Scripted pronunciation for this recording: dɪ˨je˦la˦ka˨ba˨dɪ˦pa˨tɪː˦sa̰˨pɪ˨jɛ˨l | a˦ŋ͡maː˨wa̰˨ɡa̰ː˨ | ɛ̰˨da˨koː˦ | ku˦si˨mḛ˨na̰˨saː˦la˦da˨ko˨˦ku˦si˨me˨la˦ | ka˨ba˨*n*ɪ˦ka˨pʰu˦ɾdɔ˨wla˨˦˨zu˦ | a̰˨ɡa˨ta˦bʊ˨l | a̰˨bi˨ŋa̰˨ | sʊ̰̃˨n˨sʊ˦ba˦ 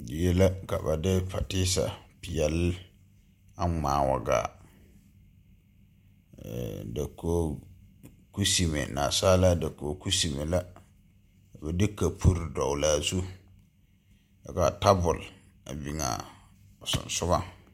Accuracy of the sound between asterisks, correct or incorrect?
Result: incorrect